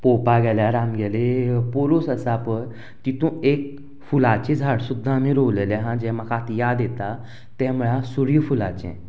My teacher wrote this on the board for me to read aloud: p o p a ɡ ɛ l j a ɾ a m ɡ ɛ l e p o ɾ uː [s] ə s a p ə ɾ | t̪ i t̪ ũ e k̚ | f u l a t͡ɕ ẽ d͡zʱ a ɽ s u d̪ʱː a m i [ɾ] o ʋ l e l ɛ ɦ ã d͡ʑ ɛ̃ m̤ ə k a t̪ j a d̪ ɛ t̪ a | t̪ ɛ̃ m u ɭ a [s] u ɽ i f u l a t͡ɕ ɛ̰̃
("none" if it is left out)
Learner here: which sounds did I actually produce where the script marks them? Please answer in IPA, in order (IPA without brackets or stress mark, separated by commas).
s, ɾ, s